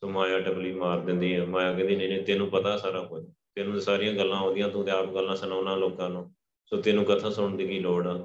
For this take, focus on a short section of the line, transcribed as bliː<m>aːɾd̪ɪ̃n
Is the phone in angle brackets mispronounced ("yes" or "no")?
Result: no